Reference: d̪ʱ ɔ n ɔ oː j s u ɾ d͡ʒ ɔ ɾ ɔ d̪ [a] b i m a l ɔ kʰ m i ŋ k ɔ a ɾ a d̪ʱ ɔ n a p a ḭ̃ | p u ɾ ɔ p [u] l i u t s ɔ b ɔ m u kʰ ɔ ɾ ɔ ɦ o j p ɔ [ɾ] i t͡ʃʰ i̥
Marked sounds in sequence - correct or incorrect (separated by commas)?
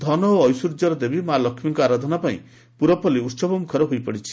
incorrect, incorrect, incorrect